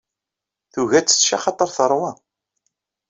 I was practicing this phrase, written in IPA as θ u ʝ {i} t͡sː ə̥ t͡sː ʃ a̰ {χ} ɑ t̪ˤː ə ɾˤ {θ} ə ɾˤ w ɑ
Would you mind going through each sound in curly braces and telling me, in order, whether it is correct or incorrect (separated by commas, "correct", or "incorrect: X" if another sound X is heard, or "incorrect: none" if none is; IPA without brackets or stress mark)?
incorrect: æ, correct, correct